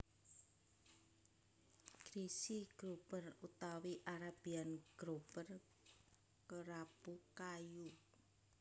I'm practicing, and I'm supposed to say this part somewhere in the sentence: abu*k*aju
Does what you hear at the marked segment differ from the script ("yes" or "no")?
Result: no